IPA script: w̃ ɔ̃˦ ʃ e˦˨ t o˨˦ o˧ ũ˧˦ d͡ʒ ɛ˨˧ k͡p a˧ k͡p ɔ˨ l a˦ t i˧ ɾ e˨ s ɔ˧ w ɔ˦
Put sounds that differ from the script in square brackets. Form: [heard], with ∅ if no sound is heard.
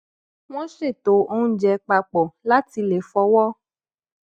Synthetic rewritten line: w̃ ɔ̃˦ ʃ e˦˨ t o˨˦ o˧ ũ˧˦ d͡ʒ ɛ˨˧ k͡p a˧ k͡p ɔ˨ l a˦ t i˧ [l] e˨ [f] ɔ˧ w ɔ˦